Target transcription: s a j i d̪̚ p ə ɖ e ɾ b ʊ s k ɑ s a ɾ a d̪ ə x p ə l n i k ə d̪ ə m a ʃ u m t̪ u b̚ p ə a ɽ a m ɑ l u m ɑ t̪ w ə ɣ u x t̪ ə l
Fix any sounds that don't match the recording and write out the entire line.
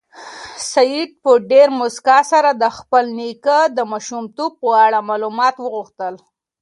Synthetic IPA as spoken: s a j i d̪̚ p ə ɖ e ɾ m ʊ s k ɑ s a ɾ a d̪ ə x p ə l n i k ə d̪ ə m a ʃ u m t̪ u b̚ p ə a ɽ a m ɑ l u m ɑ t̪ w ə ɣ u x t̪ ə l